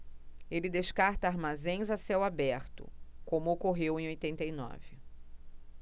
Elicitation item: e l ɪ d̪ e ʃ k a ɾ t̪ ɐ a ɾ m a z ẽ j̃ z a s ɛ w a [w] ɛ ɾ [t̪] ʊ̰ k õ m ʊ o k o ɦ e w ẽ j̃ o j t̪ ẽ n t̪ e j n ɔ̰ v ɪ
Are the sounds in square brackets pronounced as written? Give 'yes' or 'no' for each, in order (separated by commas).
no, yes